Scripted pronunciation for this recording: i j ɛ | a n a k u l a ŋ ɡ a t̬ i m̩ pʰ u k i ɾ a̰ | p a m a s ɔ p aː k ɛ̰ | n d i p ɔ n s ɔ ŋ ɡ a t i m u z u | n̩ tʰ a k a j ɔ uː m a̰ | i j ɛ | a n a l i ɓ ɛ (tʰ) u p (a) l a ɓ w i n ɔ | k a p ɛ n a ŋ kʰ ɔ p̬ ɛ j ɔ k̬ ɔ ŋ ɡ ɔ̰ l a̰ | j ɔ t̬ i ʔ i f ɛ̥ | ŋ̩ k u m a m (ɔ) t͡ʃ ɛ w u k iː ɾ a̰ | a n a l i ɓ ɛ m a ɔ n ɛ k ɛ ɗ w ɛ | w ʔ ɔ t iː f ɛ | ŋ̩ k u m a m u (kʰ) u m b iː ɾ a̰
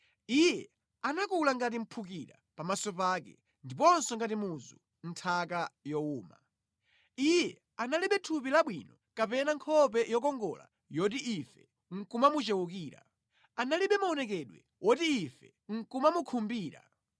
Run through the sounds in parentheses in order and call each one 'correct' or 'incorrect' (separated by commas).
correct, incorrect, incorrect, correct